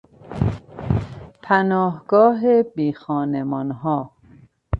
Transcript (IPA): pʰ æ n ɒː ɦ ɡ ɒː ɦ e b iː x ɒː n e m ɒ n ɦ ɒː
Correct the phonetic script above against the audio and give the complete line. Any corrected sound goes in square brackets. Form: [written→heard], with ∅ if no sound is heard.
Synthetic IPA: pʰ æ n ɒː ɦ ɡ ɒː ɦ e b iː x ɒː n e m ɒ n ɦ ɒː